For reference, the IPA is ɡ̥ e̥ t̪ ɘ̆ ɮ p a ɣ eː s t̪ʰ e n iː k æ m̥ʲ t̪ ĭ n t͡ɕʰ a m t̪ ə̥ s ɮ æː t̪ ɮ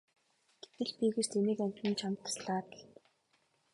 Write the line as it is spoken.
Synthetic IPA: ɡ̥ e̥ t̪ ɘ̆ ɮ p i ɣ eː s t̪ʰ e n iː k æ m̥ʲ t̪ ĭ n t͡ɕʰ a m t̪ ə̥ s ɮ aː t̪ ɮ